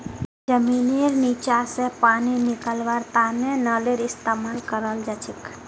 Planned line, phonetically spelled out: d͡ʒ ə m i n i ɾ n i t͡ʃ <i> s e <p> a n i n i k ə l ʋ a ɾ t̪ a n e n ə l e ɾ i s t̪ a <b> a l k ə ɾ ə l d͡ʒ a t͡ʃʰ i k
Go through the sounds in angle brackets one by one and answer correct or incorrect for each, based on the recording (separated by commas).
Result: incorrect, correct, incorrect